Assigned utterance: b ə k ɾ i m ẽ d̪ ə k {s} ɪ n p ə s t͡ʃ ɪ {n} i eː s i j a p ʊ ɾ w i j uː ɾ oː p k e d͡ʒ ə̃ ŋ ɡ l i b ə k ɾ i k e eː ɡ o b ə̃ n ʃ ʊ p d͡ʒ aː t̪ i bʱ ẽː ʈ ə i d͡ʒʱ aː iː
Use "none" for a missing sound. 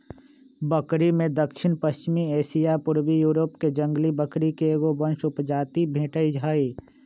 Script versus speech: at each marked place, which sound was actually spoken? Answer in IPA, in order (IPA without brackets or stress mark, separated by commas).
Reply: ʃ, m